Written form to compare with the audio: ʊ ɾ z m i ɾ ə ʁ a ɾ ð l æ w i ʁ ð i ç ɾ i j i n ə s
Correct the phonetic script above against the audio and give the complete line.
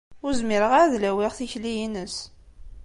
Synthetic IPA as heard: ʊ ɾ z m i ɾ ə ʁ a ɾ ð l æ w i ʁ θ i ç l i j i n ə s